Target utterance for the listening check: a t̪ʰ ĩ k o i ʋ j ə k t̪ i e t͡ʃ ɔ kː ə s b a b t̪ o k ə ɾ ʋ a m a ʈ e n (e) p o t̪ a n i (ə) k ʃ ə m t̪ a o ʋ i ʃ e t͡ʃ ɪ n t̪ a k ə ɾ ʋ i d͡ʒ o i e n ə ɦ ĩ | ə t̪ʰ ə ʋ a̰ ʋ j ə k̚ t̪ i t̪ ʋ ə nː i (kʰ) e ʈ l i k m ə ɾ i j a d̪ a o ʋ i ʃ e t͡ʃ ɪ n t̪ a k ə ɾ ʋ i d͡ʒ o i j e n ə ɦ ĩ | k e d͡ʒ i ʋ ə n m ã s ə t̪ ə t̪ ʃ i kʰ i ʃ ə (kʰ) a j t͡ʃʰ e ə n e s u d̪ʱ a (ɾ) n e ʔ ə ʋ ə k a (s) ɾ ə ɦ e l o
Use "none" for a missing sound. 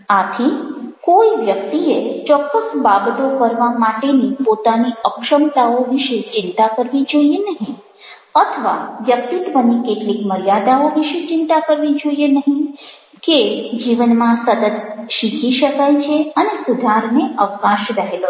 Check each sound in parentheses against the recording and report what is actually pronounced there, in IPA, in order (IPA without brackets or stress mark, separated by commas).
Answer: i, ə, k, k, ɾ, ʃ